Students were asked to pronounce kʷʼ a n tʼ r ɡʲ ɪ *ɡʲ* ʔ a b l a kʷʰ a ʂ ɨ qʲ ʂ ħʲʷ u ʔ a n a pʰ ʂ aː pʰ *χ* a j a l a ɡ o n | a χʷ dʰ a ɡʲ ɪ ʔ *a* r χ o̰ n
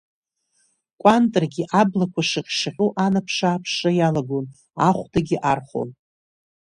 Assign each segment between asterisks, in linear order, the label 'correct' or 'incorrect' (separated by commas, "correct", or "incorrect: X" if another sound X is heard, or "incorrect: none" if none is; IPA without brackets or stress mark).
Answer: incorrect: none, incorrect: ʂ, correct